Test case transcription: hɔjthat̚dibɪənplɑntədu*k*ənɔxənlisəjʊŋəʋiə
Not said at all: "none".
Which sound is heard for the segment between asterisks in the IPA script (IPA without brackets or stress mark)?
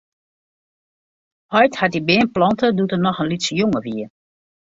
t